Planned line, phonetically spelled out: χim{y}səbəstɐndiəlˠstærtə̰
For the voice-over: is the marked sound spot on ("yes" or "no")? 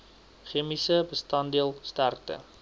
no